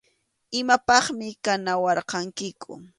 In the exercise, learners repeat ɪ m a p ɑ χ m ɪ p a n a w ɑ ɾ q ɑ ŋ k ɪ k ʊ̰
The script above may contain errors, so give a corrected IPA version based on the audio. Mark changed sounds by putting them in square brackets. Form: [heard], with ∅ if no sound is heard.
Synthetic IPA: ɪ m a p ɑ χ m ɪ [k] a n a w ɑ ɾ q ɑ ŋ k ɪ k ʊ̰